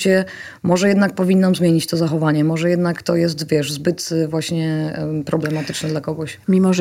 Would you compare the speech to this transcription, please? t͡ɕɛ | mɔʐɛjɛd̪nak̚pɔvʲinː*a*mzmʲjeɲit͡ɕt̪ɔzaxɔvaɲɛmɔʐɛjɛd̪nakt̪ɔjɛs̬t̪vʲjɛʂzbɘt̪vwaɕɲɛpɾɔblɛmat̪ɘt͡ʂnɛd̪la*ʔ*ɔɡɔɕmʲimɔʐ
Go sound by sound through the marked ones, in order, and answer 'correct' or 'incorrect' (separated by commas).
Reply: correct, incorrect